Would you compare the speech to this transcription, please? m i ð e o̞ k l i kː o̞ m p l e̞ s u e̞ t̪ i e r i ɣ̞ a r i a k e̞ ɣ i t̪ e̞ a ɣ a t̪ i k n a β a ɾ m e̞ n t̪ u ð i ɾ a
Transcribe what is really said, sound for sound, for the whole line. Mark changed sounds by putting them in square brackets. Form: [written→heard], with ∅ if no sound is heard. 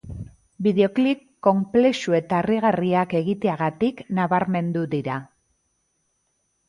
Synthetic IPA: [m→b] i ð e o̞ k l i kː o̞ m p l e̞ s u e̞ t̪ [i→a] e r i ɣ̞ a r i a k e̞ ɣ i t̪ e̞ a ɣ a t̪ i k n a β a ɾ m e̞ n [t̪→d̪] u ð i ɾ a